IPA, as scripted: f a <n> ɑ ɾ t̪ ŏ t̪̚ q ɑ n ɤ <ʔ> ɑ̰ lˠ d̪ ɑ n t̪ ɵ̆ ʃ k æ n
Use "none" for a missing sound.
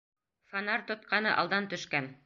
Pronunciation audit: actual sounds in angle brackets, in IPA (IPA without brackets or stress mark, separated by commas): n, ʔ